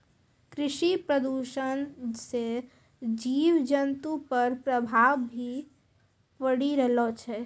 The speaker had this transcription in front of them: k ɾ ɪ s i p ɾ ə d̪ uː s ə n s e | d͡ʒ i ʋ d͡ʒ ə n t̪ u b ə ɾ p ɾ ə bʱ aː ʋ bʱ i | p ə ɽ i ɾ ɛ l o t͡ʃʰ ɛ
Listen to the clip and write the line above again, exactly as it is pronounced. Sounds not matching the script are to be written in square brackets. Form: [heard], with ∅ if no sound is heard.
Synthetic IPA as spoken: k ɾ ɪ [ʃ] i p ɾ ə d̪ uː [ʃ] ə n s e | d͡ʒ [iː] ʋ d͡ʒ ə n t̪ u [p] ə ɾ p ɾ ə bʱ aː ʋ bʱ i | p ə ɽ i ɾ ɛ l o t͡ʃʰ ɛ